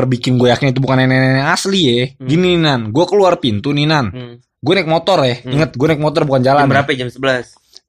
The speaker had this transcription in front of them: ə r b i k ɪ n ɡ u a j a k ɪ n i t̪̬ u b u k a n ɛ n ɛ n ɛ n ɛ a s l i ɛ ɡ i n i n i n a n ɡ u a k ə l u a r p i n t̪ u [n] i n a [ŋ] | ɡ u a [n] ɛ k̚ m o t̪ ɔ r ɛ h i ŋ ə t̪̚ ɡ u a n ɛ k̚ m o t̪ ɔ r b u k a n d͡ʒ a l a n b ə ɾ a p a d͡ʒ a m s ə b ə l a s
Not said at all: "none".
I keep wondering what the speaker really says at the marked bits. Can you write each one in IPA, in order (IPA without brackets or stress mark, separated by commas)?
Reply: n, n, n